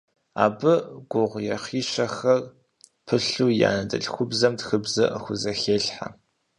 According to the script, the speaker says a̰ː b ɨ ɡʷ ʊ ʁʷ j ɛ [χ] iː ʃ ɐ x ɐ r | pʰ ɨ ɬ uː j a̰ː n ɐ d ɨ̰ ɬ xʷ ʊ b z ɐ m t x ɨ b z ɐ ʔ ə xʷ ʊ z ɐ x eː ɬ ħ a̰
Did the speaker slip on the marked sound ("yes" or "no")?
no